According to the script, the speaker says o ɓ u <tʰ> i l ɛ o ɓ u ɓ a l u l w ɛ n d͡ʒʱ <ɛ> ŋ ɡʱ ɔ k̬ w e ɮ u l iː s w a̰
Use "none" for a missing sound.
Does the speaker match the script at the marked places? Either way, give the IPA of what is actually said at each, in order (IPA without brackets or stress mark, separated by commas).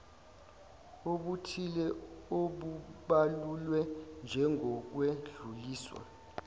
tʰ, ɛ